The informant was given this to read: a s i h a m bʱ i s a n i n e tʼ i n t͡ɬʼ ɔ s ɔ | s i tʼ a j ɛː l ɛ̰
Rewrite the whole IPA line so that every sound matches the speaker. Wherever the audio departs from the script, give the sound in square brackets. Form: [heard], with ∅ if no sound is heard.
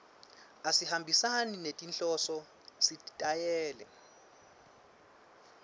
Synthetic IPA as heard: a s i h a m bʱ i s a n i n e tʼ i n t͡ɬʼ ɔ s ɔ | s i tʼ a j ɛː l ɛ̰